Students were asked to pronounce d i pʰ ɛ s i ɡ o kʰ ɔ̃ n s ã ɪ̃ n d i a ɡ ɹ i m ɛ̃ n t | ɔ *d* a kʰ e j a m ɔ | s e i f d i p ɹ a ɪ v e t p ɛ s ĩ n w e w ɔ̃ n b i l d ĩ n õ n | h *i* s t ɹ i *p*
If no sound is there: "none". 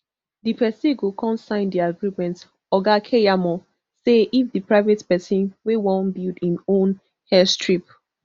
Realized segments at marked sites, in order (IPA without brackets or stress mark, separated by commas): ɡ, ɛ, p